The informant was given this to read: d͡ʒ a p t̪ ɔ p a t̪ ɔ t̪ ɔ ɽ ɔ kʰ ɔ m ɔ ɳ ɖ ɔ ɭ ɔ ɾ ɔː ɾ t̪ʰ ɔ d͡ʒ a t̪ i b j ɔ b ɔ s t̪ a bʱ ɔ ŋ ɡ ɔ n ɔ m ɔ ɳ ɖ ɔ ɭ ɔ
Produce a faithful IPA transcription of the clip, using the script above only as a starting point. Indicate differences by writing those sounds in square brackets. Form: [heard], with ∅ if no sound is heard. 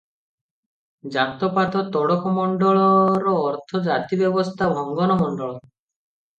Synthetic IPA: d͡ʒ a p t̪ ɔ p a t̪ ɔ t̪ ɔ ɽ ɔ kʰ ɔ m ɔ ɳ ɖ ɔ ɭ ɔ ɾ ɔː ɾ t̪ʰ ɔ d͡ʒ a t̪ i b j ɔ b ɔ s [t̪ʰ] a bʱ ɔ ŋ ɡ ɔ n ɔ m ɔ ɳ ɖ ɔ ɭ ɔ